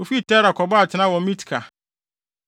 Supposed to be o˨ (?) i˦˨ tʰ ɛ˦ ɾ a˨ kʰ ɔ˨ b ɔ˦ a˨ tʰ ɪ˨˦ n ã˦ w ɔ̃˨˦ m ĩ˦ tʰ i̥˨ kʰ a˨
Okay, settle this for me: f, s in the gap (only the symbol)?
f